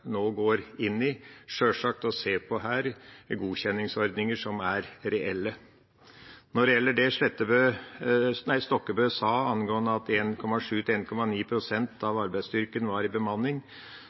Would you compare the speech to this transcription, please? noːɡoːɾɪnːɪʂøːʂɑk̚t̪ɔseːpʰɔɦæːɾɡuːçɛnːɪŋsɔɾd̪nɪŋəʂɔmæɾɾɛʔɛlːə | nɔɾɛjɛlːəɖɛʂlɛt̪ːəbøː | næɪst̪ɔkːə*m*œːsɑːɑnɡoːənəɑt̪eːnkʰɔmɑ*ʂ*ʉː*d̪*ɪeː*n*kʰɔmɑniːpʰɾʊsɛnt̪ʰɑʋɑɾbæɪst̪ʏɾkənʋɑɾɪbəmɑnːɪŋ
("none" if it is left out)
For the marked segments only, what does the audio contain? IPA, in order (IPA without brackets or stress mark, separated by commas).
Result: b, ʂ, t̪, n